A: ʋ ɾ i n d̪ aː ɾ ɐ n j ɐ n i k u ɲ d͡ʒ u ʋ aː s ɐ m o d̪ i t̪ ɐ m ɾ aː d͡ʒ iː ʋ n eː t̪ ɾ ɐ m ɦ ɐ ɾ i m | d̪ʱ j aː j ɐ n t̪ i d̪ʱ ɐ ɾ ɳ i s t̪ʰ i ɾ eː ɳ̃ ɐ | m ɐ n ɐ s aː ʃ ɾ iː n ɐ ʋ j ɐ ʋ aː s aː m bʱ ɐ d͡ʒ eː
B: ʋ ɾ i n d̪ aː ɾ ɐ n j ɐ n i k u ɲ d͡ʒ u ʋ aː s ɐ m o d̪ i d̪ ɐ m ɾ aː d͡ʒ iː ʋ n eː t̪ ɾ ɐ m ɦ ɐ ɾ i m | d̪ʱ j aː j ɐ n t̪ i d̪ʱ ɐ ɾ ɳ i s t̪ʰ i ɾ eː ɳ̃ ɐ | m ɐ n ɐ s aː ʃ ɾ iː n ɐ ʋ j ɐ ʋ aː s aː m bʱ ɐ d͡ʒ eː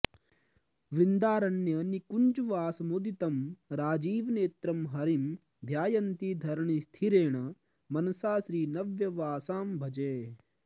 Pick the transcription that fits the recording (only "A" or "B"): A